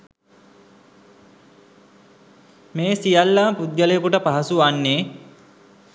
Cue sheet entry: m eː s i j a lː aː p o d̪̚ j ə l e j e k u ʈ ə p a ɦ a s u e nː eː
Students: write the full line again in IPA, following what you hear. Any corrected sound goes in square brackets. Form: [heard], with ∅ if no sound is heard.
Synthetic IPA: m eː s i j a lː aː p [u] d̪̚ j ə l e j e k u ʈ ə p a ɦ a s u [a] nː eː